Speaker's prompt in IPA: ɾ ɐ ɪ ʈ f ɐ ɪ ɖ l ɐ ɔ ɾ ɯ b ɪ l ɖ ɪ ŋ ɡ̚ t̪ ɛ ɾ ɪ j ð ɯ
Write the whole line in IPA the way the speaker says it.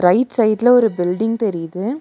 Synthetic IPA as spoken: ɾ ɐ ɪ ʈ s ɐ ɪ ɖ l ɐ ɔ ɾ ɯ b ɪ l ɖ ɪ ŋ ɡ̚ t̪ ɛ ɾ ɪ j ð ɯ